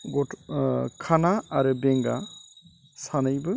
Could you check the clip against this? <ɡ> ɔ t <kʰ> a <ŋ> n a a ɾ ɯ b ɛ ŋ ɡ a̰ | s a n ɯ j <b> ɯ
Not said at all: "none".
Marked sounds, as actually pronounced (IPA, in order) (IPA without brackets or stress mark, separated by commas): ɡ, kʰ, none, b